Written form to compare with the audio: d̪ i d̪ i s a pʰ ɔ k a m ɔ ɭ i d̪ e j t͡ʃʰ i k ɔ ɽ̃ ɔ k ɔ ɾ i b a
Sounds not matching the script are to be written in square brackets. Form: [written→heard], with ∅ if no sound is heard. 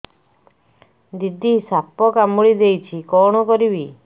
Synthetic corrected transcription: d̪ i d̪ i s a [pʰ→p] ɔ k a m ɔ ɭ i d̪ e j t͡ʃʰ i k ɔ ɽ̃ ɔ k ɔ ɾ i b [a→i]